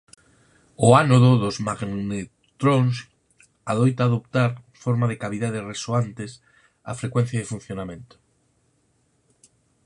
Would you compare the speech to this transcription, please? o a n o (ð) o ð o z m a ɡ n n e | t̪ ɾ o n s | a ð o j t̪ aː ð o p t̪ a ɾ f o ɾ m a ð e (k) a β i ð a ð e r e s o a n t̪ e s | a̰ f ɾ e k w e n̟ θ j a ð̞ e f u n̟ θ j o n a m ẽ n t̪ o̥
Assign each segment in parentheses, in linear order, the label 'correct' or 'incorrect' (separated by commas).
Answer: correct, correct